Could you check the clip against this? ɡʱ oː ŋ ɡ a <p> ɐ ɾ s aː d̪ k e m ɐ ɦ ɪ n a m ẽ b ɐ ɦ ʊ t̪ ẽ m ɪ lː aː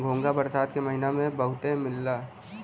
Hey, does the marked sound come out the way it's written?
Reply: no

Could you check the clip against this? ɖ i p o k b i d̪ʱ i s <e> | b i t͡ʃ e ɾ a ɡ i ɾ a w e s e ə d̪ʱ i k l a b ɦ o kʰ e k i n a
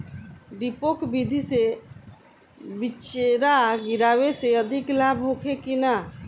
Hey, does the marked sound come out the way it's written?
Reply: yes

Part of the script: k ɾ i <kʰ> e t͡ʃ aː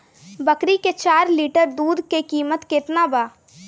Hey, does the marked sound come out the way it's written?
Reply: no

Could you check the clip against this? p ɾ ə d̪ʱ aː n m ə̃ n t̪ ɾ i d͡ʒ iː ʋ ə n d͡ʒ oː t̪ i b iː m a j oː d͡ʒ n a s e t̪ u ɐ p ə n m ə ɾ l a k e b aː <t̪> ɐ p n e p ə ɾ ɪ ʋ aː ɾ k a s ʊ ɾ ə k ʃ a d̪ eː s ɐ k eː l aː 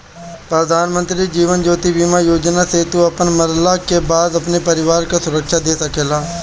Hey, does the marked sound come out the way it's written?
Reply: no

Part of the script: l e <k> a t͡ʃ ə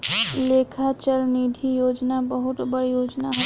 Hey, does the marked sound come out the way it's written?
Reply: no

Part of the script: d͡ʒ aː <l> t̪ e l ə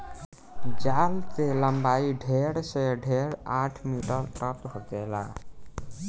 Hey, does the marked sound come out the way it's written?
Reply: yes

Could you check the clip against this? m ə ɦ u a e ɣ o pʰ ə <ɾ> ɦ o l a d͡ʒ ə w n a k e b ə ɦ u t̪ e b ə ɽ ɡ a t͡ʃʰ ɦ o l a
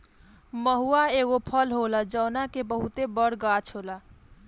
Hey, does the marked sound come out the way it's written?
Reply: no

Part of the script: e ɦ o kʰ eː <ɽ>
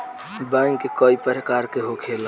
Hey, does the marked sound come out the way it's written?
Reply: no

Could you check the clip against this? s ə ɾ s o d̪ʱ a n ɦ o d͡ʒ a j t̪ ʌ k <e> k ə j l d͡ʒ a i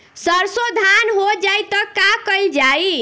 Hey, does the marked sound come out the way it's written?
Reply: no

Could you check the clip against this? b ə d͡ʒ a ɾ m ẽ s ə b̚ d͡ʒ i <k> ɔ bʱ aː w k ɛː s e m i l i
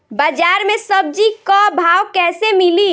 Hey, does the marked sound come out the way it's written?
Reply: yes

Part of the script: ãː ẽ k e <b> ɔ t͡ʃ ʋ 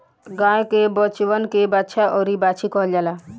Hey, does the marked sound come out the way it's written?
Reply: yes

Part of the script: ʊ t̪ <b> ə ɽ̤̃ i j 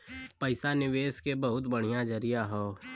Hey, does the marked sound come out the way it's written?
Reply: yes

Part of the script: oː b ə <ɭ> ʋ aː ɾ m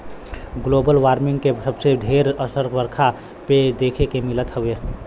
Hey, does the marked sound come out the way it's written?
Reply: no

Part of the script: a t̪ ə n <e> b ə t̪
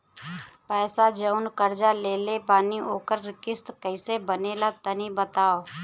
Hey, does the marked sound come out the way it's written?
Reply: no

